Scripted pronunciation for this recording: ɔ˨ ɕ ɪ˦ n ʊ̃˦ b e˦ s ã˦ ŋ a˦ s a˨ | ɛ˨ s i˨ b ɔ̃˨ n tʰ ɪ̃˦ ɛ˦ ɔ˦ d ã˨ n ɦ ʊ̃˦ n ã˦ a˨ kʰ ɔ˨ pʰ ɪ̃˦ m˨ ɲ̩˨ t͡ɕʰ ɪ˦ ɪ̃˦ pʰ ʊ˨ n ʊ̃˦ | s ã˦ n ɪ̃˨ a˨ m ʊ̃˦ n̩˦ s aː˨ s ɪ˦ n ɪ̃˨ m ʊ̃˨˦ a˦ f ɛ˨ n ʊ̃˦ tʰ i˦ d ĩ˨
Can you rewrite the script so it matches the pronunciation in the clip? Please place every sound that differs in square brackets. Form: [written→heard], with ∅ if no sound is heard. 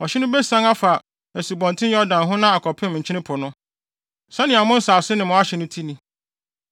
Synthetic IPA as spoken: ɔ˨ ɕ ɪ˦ n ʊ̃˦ b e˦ s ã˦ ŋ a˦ [s→f] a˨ | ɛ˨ s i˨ b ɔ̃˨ n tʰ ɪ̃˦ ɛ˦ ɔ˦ d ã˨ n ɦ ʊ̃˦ n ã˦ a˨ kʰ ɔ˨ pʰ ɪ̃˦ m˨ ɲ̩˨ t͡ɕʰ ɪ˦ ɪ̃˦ pʰ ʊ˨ n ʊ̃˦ | s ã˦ n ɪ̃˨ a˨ m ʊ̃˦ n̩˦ s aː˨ s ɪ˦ n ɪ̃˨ m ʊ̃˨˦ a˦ [f→ɕ] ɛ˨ n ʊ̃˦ tʰ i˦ [d→n] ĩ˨